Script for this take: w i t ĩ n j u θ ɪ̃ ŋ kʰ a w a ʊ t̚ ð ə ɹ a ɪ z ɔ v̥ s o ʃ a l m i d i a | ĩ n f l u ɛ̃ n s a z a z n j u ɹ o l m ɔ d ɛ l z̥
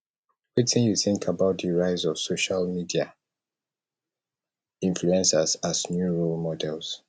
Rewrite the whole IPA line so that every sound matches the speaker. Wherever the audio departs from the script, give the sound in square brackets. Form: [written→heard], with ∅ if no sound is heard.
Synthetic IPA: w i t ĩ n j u θ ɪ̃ ŋ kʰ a [w→b] a ʊ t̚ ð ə ɹ a ɪ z ɔ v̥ s o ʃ a l m i d i a | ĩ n f l u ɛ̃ n s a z a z n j u ɹ o l m ɔ d ɛ l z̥